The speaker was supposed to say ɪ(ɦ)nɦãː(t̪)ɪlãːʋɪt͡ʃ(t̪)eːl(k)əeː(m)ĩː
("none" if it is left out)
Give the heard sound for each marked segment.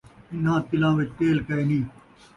none, t̪, t̪, k, n

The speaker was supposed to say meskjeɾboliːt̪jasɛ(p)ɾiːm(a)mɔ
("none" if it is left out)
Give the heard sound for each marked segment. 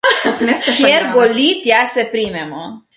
p, ɛ

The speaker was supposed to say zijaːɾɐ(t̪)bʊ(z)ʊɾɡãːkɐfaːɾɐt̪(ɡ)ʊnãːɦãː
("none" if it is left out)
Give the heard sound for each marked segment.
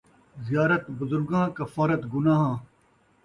t̪, z, ɡ

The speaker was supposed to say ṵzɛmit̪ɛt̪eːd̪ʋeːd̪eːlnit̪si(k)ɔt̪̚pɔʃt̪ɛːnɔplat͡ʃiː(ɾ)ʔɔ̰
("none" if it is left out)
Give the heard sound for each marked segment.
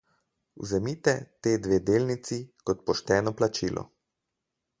k, l

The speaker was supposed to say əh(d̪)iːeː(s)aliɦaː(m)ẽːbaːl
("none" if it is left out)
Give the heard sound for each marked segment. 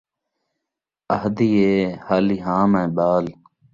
d̪, h, m

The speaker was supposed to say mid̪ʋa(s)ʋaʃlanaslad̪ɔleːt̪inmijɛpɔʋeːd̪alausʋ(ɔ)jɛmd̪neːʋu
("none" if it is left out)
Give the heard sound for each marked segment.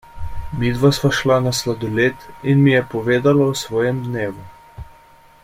s, ɔː

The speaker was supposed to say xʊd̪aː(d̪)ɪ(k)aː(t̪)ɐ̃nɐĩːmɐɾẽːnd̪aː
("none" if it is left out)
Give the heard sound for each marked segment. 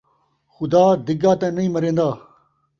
d̪, ɡ, t̪

